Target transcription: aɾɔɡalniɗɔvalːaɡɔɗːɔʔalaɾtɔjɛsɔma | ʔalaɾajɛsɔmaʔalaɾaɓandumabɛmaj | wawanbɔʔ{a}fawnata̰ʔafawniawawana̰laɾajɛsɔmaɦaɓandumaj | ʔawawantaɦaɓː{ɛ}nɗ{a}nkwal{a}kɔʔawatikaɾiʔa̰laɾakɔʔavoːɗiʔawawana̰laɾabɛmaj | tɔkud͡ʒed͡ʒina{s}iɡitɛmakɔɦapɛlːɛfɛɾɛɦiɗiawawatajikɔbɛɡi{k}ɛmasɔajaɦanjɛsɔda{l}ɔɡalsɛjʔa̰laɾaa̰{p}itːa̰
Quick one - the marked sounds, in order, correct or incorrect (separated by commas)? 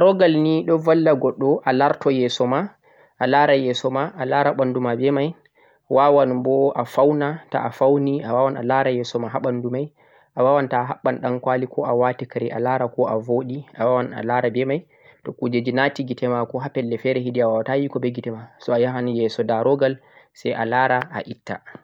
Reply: correct, incorrect, correct, incorrect, incorrect, incorrect, incorrect, incorrect